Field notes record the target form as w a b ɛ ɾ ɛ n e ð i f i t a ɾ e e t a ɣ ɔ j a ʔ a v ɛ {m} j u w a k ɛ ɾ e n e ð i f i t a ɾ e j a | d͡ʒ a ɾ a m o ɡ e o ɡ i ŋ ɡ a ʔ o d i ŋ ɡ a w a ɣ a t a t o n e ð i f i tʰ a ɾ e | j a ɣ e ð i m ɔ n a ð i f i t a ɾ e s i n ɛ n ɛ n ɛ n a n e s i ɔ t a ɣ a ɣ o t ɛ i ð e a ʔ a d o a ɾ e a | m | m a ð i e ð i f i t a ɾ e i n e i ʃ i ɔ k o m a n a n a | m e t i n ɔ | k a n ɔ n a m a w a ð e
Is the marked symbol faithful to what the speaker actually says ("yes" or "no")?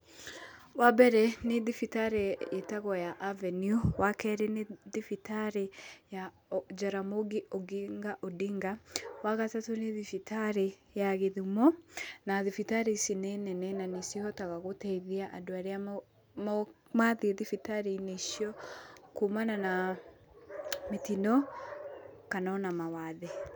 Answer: no